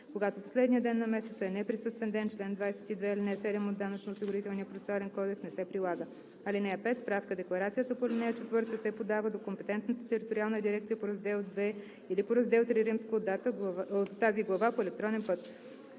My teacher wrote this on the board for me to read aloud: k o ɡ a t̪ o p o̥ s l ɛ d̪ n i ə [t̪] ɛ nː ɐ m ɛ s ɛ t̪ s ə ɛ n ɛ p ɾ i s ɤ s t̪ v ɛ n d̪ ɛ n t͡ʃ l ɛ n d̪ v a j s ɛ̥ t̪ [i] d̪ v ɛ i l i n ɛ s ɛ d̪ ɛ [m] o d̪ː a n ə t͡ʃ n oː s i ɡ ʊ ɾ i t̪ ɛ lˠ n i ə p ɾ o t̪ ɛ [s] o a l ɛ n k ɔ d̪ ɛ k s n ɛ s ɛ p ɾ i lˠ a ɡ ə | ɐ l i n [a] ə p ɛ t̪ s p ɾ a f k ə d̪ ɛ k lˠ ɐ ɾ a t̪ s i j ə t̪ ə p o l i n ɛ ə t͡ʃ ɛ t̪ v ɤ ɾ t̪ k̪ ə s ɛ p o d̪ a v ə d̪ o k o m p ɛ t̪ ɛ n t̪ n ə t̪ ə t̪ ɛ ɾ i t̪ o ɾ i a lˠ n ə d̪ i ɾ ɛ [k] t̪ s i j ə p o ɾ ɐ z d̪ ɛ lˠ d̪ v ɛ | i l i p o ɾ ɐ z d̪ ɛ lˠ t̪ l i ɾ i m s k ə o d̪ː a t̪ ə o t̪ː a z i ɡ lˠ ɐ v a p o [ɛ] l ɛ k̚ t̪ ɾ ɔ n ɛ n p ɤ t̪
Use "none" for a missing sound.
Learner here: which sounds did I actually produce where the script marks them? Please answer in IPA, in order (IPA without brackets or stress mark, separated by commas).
d̪, i, m, s, ɛ, k, ɛ